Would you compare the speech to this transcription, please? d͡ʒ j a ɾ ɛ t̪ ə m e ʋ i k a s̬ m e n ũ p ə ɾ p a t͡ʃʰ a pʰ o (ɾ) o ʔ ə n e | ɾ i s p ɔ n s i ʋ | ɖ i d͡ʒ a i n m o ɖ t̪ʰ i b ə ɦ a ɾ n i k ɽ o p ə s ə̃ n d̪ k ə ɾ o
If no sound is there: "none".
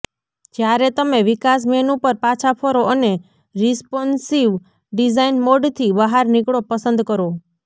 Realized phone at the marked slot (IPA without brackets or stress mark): ɾ